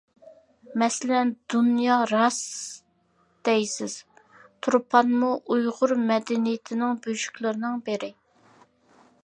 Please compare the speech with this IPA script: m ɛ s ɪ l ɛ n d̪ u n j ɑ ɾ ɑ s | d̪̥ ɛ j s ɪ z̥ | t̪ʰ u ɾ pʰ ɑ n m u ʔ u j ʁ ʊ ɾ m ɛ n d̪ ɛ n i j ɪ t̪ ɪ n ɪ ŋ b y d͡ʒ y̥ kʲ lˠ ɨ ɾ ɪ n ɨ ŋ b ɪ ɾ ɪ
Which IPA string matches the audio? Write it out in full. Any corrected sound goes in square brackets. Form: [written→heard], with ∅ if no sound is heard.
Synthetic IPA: m ɛ s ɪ l ɛ n d̪ u n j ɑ ɾ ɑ s | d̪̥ ɛ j s ɪ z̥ | t̪ʰ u ɾ pʰ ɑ n m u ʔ u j ʁ ʊ ɾ m ɛ [n→∅] d̪ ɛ n i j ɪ [t̪→t̪ʰ] ɪ n ɪ ŋ b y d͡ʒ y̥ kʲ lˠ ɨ ɾ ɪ n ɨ ŋ b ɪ ɾ ɪ

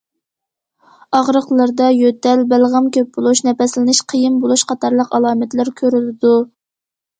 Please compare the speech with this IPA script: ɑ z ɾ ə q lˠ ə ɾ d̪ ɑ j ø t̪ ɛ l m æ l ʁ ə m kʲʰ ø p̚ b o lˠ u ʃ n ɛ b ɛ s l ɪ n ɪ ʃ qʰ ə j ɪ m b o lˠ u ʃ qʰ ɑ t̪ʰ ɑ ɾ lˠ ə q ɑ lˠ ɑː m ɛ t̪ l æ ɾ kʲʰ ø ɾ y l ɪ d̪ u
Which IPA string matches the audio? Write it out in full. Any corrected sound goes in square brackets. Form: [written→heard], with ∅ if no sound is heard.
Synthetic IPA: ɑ [z→ʁ] ɾ ə q lˠ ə ɾ d̪ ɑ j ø t̪ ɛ l [m→b] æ l ʁ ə m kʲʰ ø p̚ b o lˠ u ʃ n ɛ [b→p] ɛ s l ɪ n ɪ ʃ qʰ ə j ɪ m b o lˠ u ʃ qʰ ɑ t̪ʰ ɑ ɾ lˠ ə q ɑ lˠ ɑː m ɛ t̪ l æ ɾ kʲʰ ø ɾ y l ɪ d̪ u

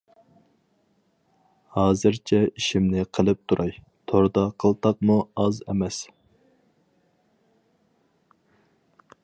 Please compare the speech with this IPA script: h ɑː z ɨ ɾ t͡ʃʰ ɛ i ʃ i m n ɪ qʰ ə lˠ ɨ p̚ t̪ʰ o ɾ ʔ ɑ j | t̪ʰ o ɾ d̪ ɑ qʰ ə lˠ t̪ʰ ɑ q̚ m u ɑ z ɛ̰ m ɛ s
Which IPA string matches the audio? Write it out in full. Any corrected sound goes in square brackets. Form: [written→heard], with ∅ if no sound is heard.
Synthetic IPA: h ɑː z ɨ ɾ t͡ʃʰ ɛ i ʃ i m n ɪ qʰ ə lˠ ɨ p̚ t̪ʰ [o→u] ɾ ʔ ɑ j | t̪ʰ o ɾ d̪ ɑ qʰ ə lˠ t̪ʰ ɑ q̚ m u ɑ z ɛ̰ m ɛ s

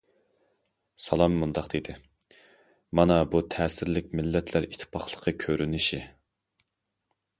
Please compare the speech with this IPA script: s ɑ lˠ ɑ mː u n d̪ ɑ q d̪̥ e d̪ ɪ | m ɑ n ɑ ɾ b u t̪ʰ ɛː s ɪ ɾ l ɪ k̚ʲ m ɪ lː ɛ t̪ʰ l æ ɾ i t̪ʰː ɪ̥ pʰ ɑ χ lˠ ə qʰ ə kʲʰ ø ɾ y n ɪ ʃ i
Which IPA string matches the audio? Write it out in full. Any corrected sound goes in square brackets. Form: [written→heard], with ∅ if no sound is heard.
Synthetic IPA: s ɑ lˠ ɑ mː u n d̪ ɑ q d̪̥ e d̪ ɪ | m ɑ n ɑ [ɾ→∅] b u t̪ʰ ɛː s ɪ ɾ l ɪ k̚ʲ m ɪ lː ɛ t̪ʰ l æ ɾ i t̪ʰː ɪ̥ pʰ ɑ χ lˠ ə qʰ ə kʲʰ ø ɾ y n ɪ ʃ i

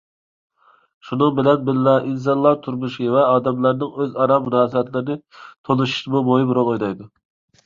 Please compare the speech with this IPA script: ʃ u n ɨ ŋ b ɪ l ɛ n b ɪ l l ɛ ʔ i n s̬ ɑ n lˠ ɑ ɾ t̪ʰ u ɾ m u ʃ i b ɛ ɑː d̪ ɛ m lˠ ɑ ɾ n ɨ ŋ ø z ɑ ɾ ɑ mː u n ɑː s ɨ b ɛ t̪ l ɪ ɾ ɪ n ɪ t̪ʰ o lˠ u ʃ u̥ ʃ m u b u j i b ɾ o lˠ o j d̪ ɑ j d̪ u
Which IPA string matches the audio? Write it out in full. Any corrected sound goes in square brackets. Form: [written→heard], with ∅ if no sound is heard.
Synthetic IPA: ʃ u n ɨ ŋ b ɪ l ɛ n b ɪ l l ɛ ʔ i n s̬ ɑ n lˠ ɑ ɾ t̪ʰ u ɾ m u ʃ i [b→v] ɛ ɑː d̪ ɛ m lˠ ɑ ɾ n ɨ ŋ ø z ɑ ɾ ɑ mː u n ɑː s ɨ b ɛ t̪ l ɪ ɾ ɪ n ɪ t̪ʰ o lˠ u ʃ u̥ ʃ m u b [u→o] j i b ɾ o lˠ o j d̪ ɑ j d̪ u

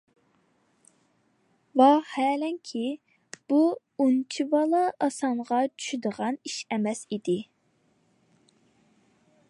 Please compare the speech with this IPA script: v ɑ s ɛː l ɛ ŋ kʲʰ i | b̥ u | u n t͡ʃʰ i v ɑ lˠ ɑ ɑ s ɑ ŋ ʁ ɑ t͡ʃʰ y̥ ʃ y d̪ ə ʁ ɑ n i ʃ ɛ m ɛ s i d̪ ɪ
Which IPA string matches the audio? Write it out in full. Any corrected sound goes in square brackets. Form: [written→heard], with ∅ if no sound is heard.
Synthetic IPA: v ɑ [s→h] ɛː l ɛ ŋ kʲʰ i | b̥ u | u n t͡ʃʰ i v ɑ lˠ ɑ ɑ s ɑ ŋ ʁ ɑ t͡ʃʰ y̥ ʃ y d̪ ə ʁ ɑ n i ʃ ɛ m ɛ s i d̪ ɪ

